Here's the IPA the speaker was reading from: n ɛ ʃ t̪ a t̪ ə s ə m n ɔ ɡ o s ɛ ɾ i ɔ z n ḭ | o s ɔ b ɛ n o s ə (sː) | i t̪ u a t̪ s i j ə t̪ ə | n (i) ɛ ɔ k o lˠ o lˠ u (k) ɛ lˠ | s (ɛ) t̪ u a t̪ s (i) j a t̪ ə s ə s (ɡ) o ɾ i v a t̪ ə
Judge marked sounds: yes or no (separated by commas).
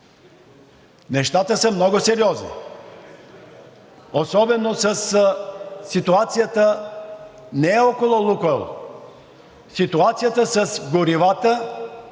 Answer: yes, no, yes, no, yes, yes